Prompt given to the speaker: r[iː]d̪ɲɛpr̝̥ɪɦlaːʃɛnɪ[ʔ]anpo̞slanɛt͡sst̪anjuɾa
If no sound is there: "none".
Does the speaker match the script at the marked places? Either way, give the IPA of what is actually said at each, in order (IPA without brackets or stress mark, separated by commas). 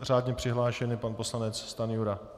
aː, p